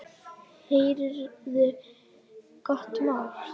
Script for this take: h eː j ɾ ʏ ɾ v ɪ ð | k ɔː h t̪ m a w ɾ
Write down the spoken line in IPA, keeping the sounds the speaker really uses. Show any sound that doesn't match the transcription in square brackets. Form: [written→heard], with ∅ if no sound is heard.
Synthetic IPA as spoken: h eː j ɾ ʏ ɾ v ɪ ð | k [ɔː→ɔ] h t̪ m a w [ɾ→l]